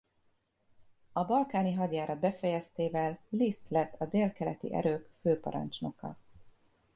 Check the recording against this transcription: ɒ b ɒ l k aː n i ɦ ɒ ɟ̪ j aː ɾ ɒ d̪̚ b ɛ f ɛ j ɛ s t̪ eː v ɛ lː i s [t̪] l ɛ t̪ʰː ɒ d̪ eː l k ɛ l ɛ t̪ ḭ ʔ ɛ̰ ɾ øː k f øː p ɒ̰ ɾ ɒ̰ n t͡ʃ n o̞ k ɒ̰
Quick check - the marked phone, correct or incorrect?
correct